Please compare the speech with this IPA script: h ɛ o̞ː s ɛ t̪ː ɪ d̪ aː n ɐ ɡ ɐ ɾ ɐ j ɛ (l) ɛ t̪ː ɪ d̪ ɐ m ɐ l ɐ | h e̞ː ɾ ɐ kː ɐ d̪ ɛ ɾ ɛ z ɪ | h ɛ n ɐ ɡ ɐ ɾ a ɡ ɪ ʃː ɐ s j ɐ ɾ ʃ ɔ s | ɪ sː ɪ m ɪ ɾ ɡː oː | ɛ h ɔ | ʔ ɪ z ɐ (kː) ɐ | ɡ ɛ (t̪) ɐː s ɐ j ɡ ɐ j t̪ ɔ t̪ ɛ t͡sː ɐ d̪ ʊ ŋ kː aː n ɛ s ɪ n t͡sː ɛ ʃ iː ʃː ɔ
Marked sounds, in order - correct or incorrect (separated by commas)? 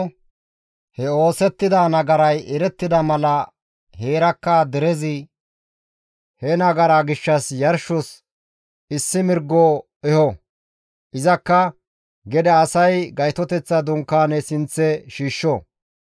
incorrect, correct, incorrect